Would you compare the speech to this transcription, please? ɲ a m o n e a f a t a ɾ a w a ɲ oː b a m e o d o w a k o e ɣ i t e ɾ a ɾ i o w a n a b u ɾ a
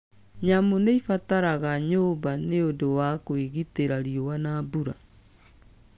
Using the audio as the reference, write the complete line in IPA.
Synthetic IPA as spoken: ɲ a m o n e i f a t a ɾ a ɣ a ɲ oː b a n e o d o w a k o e ɣ i t e ɾ a ɾ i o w a n a b u ɾ a